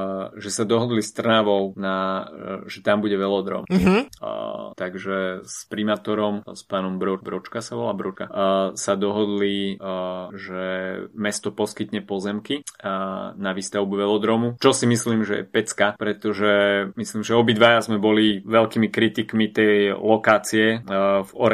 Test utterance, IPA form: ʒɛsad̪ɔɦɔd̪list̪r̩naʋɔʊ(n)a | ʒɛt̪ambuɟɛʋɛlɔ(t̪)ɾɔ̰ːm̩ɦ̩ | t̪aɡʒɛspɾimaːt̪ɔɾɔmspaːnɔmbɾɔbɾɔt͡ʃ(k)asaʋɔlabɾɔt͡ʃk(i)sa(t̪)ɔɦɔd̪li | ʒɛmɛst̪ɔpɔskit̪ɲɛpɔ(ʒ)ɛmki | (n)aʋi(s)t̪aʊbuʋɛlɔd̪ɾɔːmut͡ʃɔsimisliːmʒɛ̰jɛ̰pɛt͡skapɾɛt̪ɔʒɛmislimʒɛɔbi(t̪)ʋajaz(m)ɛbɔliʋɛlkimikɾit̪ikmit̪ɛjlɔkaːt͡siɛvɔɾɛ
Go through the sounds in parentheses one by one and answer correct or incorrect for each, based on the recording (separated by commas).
correct, incorrect, correct, incorrect, incorrect, incorrect, correct, correct, incorrect, correct